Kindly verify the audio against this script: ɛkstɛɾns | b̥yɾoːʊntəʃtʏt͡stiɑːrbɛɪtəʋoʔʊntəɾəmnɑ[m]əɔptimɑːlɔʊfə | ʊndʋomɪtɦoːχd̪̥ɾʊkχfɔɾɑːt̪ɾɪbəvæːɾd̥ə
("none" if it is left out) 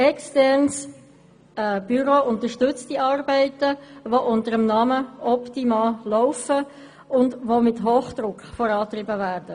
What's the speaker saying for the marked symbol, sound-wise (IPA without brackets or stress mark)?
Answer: m